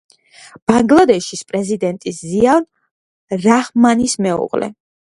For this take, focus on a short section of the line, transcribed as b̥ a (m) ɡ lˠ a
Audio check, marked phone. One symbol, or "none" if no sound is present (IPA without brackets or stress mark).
ŋ